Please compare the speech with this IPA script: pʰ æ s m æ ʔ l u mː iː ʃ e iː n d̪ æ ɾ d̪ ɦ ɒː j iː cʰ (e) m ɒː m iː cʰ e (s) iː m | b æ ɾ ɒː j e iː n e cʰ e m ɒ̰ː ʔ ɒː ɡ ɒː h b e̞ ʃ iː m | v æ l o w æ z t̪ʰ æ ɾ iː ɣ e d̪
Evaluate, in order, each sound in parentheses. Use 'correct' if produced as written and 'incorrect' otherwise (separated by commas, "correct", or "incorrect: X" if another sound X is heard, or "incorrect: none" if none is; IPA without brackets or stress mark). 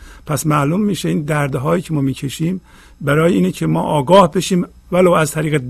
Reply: correct, incorrect: ʃ